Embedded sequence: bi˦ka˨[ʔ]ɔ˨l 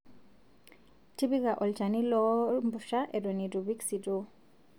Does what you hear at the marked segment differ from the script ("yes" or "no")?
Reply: no